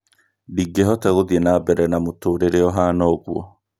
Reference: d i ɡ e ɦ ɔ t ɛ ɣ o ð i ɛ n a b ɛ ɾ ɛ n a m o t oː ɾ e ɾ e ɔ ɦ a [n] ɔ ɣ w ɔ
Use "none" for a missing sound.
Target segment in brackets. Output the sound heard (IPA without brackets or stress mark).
n